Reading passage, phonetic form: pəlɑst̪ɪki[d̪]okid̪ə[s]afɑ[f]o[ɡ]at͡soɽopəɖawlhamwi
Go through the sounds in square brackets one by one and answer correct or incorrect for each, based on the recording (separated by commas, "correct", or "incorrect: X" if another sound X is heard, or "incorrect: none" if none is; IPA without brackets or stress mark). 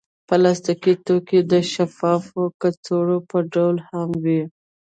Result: incorrect: t̪, incorrect: ʃ, correct, incorrect: k